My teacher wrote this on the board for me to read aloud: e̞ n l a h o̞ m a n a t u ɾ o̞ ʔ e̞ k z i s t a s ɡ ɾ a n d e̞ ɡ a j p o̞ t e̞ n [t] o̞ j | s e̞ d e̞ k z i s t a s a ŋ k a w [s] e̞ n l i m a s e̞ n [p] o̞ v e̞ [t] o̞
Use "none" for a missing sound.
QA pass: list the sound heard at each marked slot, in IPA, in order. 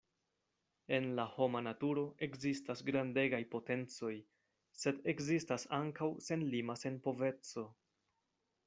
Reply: t͡s, s, p, t͡s

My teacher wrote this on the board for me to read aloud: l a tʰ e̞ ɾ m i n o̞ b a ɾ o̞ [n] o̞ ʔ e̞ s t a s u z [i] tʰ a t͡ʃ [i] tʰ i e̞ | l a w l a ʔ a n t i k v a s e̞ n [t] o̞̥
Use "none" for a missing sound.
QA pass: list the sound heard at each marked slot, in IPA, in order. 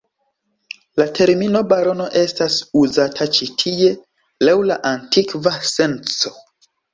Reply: n, a, i, t͡s

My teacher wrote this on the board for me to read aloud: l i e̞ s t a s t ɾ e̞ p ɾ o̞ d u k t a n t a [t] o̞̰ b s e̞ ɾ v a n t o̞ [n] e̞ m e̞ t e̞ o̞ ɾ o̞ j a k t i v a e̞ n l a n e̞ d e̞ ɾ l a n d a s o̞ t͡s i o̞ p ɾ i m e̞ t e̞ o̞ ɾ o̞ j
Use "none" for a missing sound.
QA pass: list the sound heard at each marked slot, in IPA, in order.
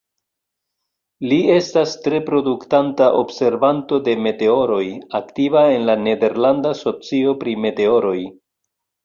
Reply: ʔ, d

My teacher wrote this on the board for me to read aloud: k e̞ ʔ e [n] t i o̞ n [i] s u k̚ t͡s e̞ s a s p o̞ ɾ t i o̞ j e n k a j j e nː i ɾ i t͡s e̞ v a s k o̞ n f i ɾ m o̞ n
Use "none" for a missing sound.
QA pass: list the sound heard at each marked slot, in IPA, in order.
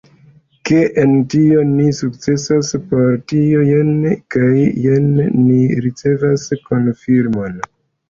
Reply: n, i

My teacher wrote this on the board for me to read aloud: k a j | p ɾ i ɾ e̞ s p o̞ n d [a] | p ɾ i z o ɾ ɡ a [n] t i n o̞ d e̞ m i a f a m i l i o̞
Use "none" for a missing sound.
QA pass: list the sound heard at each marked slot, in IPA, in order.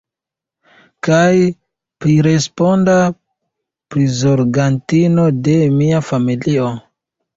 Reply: a, n

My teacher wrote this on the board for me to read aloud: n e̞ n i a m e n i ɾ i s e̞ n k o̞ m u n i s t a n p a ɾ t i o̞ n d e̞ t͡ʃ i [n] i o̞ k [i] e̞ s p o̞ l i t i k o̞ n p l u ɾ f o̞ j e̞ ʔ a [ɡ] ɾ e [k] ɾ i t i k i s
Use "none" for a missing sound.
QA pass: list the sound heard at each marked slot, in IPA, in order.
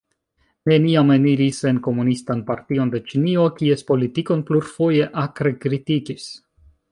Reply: n, i, k, k

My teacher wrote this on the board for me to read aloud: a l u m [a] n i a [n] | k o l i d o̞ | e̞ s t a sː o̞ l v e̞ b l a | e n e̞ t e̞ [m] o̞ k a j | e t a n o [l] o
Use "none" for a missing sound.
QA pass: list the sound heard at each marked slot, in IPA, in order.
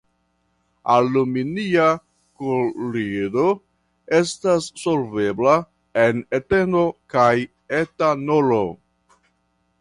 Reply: i, none, n, l

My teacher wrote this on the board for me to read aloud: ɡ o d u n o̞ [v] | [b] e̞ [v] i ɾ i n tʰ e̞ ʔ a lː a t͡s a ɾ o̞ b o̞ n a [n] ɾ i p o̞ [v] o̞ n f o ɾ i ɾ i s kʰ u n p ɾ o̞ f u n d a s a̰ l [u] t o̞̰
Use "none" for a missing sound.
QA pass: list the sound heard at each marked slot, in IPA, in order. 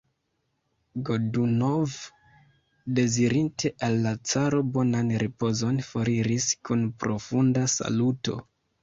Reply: v, d, z, n, z, u

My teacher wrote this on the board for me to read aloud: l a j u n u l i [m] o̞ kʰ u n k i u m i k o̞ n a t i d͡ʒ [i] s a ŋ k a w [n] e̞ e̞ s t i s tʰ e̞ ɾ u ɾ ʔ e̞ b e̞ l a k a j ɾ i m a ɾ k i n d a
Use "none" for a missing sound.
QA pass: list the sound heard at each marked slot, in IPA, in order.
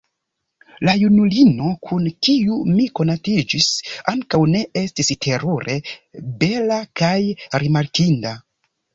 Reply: n, i, n

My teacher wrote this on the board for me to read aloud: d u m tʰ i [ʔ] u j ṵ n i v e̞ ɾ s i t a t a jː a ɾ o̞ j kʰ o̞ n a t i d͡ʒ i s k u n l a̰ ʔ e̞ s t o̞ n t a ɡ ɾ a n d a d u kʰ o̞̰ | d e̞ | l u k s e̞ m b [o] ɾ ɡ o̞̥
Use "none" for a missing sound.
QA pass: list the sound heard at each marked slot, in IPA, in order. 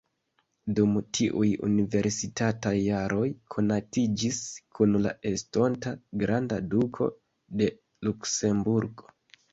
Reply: ʔ, u

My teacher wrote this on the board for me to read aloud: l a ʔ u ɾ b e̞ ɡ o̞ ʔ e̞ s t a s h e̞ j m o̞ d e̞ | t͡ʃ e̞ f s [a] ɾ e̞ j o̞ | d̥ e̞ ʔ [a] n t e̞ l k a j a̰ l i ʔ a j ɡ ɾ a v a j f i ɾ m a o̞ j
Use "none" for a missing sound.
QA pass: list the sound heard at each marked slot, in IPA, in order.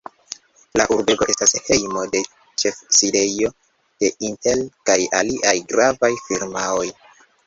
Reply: i, i

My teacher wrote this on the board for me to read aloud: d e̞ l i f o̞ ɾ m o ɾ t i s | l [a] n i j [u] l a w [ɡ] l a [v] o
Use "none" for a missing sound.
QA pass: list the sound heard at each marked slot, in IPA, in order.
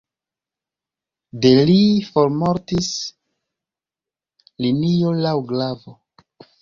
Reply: i, o, ɡ, v

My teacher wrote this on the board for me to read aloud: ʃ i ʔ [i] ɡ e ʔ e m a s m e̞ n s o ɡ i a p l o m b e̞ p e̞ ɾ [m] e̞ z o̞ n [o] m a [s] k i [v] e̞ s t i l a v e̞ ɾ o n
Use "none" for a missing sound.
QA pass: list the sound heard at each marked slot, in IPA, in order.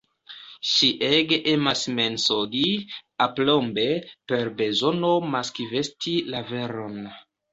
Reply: e, b, o, s, v

